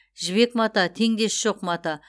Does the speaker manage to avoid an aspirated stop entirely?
no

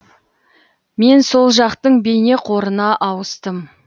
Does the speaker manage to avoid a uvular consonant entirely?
no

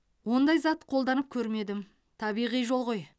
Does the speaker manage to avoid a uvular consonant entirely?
no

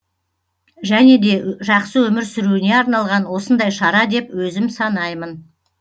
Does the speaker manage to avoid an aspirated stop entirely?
yes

